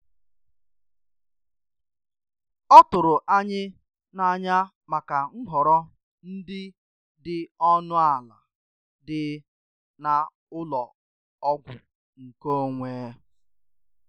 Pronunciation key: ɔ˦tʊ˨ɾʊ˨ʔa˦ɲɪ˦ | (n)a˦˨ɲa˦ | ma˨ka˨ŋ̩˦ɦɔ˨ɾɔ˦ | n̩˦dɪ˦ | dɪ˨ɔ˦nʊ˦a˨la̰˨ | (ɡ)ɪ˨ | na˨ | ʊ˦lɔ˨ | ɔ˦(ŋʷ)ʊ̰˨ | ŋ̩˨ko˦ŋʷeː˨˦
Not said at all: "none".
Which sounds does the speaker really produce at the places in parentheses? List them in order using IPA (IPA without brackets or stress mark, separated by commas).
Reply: n, d, ɡʷ